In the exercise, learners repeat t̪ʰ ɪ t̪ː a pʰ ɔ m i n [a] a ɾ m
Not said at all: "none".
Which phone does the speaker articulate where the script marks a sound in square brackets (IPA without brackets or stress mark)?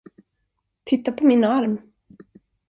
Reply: a